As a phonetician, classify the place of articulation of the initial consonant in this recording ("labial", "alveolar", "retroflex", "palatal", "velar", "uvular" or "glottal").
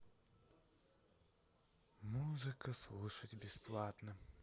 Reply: labial